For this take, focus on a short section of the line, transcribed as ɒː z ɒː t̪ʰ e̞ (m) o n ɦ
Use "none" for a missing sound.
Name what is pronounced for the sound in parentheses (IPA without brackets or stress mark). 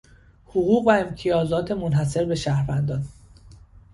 m